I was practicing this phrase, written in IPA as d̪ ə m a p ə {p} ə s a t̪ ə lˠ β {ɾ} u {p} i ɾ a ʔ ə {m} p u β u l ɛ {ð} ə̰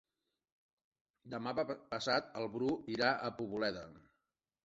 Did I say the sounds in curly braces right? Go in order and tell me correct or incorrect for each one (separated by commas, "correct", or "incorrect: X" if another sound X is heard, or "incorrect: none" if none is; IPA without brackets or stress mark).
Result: correct, correct, incorrect: none, incorrect: none, correct